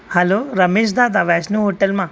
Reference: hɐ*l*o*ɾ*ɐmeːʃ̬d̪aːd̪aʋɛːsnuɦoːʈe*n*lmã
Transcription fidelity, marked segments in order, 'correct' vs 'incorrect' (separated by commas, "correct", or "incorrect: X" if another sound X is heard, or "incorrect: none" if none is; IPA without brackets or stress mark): correct, correct, incorrect: none